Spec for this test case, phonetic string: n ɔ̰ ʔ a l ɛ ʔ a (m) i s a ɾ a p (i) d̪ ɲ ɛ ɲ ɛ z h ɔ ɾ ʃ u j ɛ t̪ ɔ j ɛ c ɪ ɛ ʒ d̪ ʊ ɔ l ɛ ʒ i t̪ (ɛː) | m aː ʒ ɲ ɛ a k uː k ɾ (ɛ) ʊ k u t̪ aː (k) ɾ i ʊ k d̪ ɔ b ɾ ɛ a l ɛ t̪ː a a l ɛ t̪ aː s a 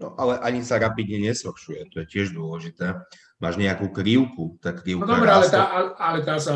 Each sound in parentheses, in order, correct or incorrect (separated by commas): incorrect, correct, correct, incorrect, correct